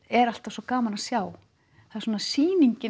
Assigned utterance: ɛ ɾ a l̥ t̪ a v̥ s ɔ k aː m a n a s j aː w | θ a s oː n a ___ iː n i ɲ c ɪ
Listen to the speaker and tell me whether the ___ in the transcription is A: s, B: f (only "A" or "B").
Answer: A